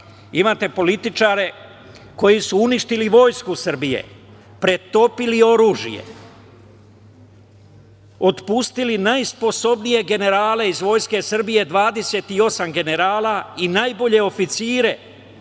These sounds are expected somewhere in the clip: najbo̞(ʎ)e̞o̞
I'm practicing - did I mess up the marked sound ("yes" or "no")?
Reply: no